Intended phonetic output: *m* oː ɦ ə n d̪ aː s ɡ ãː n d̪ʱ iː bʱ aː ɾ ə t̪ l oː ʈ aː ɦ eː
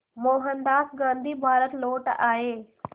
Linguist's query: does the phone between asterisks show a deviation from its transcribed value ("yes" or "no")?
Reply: no